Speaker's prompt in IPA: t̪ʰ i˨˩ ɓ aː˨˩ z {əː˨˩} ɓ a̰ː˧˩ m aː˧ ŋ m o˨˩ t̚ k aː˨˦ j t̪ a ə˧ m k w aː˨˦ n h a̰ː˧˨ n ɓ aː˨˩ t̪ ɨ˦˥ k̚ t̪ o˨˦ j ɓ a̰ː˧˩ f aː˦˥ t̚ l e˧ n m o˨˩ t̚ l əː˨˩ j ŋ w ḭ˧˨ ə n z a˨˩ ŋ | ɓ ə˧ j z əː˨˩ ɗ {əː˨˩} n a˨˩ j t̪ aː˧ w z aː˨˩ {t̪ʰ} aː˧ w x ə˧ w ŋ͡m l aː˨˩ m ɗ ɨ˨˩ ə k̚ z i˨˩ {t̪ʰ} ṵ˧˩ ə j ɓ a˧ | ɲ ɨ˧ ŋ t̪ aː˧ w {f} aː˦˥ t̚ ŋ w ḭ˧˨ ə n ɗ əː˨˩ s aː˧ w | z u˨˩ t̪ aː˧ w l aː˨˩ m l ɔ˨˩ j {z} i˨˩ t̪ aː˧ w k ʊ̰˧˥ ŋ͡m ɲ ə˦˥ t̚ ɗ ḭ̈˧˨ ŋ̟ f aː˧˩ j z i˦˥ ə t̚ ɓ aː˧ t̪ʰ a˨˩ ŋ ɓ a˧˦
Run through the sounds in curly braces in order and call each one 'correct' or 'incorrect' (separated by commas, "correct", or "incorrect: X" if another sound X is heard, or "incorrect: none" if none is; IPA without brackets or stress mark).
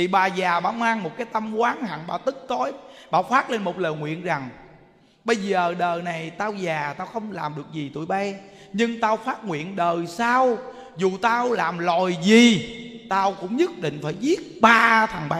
incorrect: aː˨˩, correct, incorrect: t̪, incorrect: t̪, correct, correct